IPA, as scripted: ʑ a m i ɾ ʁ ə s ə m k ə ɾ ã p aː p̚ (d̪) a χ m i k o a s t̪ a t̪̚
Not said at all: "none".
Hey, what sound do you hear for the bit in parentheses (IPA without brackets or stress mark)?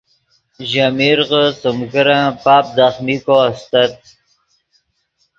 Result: d̪